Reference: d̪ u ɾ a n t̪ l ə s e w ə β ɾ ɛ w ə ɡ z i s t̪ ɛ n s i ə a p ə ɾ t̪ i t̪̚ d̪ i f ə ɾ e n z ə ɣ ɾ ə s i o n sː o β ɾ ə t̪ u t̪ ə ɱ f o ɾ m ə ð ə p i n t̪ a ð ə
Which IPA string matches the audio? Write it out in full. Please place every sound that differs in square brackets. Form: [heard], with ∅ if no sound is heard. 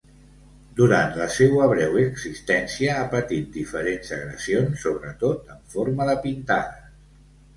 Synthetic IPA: d̪ u ɾ a n t̪ l ə s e w ə β ɾ ɛ w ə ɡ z i s t̪ ɛ n s i ə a p ə [∅] t̪ i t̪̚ d̪ i f ə ɾ e n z ə ɣ ɾ ə s i o n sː o β ɾ ə t̪ [o] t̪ ə ɱ f o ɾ m ə ð ə p i n t̪ a ð ə